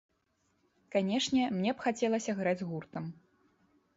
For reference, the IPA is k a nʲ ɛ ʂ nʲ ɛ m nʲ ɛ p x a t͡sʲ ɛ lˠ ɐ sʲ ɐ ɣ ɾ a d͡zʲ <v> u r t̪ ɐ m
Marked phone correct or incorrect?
incorrect